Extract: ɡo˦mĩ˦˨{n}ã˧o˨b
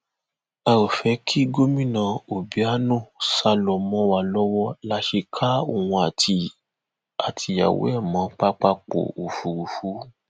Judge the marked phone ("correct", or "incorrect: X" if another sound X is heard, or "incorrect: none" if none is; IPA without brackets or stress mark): correct